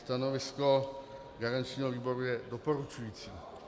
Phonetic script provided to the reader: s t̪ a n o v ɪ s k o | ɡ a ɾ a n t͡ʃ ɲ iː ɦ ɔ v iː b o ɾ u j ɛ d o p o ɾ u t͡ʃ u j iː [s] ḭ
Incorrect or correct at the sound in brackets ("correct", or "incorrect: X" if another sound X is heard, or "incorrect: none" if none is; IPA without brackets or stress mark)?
incorrect: t͡s